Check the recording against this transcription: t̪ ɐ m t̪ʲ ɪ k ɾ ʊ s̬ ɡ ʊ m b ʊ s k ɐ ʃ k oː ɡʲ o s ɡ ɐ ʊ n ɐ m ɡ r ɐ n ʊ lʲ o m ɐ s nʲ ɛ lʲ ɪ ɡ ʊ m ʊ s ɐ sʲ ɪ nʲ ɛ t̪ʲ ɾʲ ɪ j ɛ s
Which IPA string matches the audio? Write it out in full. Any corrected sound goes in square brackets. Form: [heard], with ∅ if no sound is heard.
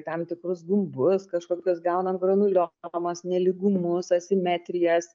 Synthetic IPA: t̪ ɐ m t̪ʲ ɪ k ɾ ʊ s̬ ɡ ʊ m b ʊ s k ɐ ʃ k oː [kʲ] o s ɡ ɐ ʊ n ɐ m ɡ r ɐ n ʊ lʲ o m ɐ s nʲ ɛ lʲ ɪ ɡ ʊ m ʊ s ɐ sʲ ɪ [mʲ] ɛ t̪ʲ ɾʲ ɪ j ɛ s